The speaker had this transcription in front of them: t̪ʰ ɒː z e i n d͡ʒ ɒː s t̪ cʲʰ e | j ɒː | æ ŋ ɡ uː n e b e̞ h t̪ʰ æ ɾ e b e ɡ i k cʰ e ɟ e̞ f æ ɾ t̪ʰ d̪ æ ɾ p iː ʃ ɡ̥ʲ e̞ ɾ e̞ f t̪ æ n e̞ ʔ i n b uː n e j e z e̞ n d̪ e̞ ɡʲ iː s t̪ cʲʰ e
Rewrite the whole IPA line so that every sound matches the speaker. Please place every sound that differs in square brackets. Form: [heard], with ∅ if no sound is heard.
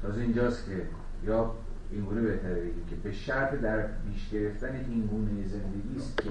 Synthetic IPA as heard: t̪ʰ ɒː z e i n d͡ʒ ɒː s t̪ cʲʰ e | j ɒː | [i] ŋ ɡ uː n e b e̞ h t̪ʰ æ ɾ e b e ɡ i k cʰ e [b] e̞ [ʃ] æ ɾ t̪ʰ d̪ æ ɾ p iː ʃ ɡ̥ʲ e̞ ɾ e̞ f t̪ æ n e̞ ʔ i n [ɡ] uː n e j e z e̞ n d̪ e̞ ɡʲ iː s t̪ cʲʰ e